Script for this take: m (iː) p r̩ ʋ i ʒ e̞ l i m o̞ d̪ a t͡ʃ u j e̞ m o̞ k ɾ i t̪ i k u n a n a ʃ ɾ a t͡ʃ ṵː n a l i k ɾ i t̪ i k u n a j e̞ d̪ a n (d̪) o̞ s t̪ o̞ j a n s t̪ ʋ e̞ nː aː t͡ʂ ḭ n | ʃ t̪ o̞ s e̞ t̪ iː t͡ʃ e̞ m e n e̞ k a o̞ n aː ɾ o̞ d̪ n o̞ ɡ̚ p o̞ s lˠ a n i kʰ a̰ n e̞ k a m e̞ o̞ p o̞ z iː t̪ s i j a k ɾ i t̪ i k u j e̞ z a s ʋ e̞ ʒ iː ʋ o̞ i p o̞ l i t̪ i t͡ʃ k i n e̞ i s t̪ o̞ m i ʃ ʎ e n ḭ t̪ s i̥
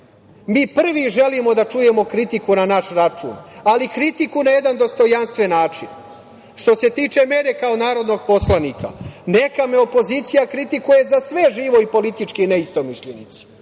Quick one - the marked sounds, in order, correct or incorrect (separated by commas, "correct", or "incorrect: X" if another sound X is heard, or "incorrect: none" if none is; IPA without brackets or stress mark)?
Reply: correct, correct